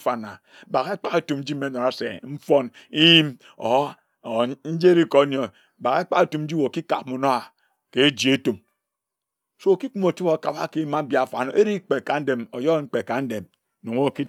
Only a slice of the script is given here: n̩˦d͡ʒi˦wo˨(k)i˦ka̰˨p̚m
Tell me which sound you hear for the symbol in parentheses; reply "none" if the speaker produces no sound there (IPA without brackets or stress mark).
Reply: k